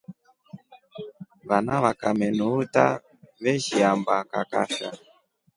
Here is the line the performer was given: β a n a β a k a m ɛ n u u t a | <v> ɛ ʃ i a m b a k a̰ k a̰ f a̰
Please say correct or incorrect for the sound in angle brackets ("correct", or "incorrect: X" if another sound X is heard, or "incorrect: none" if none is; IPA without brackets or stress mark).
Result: incorrect: β